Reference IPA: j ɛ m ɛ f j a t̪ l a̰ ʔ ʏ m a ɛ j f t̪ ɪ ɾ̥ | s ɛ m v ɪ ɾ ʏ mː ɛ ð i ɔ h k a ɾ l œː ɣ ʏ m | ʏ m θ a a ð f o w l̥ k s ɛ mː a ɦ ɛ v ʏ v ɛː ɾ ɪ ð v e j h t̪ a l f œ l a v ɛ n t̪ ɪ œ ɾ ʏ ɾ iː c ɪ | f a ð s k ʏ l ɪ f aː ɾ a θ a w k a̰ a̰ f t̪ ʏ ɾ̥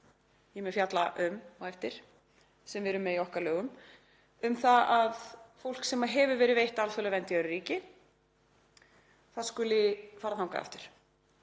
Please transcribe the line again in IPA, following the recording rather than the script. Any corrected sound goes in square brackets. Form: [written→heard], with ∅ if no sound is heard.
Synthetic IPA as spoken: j ɛ m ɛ f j a t̪ l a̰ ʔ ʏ m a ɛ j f t̪ ɪ ɾ̥ | s ɛ m v ɪ ɾ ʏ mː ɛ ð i ɔ h k a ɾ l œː ɣ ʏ m | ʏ m θ a a ð f o w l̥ k s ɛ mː a ɦ ɛ v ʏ v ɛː ɾ ɪ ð v e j h t̪ a l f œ l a v ɛ n t̪ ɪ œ ɾ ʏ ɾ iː c ɪ | [f→θ] a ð s k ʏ l ɪ f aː ɾ a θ a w k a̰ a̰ f t̪ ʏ ɾ̥